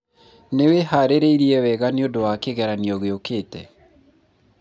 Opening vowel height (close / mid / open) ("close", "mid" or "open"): mid